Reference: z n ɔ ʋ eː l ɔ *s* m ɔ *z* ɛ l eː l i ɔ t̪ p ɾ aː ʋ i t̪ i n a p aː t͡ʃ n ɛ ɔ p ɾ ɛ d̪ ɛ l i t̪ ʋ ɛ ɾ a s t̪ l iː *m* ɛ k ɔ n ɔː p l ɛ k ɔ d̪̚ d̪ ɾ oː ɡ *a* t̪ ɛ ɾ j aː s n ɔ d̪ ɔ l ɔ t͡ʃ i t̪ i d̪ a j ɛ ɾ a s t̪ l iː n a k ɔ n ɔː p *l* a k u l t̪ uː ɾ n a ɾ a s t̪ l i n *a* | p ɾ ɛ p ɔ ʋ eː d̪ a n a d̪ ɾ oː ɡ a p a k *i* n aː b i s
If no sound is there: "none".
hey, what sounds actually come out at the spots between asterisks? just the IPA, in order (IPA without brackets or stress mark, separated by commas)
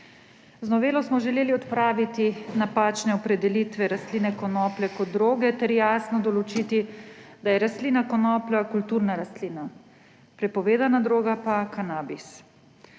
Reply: s, ʒ, n, ɛ, l, a, a